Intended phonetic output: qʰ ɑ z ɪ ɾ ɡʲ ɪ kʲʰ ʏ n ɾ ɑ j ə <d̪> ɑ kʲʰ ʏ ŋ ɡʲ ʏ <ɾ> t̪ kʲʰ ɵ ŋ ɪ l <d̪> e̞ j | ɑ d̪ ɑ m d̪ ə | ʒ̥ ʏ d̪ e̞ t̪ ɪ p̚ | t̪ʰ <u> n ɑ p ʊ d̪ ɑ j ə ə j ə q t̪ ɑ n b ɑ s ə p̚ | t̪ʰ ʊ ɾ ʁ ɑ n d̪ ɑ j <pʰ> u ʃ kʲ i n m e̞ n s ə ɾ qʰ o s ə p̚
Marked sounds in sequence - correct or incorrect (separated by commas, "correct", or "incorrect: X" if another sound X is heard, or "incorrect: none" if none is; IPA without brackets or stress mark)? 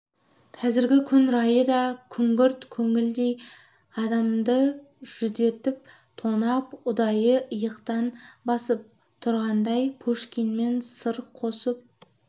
correct, correct, correct, incorrect: o, correct